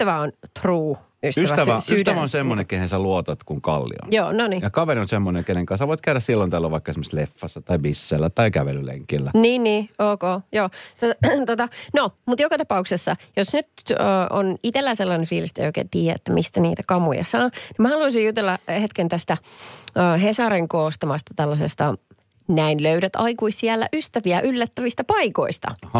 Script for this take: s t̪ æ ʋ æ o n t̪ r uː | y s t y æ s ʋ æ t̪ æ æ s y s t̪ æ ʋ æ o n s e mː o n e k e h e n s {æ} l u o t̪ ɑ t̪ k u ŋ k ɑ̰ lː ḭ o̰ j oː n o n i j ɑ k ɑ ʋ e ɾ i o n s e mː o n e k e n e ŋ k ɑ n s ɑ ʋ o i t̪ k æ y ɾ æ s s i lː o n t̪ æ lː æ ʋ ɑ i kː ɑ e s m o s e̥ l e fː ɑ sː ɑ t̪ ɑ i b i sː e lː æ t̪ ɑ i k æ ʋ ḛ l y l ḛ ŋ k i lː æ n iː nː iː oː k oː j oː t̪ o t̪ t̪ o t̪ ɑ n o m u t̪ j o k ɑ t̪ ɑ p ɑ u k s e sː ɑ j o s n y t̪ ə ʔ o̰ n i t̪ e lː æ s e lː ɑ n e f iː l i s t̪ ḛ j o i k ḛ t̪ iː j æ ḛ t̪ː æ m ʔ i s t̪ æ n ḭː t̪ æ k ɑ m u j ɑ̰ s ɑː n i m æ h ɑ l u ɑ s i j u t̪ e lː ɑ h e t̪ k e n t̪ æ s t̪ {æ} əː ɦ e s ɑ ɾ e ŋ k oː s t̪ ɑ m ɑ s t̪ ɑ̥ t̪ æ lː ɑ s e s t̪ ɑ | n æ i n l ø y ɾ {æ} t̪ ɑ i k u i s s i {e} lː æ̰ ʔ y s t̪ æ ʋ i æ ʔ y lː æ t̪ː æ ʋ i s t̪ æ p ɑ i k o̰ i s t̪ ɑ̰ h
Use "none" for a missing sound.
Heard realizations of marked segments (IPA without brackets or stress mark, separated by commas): æ, æ, æ, æ